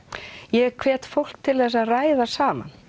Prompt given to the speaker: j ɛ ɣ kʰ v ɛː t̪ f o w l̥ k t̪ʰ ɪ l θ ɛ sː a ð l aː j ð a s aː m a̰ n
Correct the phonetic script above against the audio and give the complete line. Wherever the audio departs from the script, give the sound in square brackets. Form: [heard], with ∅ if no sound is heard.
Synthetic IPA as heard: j ɛ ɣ kʰ v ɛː t̪ f o w l̥ k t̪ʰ ɪ l θ ɛ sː a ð [r] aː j ð a s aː m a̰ n